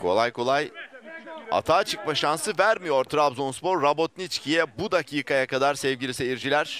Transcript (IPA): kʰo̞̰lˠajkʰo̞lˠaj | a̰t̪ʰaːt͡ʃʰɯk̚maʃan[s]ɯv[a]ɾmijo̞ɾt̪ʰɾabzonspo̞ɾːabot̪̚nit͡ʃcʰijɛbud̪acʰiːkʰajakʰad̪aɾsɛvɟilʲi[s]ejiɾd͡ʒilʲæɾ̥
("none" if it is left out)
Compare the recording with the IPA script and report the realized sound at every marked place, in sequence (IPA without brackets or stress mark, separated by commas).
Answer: s, æ, s